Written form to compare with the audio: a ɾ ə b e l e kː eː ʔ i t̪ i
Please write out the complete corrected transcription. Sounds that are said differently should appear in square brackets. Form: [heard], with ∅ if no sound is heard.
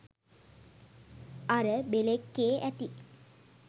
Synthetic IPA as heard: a ɾ ə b e l e kː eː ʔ [æ] t̪ i